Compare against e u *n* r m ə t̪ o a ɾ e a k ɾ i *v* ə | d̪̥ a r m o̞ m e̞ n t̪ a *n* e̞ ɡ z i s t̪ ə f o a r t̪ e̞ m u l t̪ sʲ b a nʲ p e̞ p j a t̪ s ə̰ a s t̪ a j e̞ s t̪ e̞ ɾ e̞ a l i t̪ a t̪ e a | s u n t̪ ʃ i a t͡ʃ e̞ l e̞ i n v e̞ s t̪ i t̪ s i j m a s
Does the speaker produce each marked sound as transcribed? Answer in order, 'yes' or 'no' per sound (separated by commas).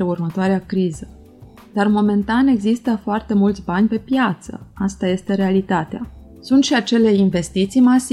no, no, yes